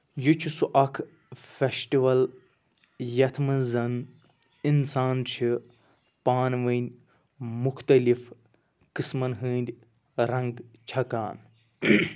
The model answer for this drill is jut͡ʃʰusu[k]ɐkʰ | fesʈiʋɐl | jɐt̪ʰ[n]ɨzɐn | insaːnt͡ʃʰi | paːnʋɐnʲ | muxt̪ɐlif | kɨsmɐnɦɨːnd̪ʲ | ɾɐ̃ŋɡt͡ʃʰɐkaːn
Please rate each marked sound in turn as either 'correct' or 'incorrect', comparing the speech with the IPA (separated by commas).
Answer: incorrect, incorrect